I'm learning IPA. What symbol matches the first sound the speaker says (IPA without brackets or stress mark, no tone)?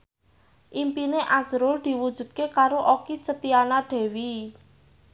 ʔ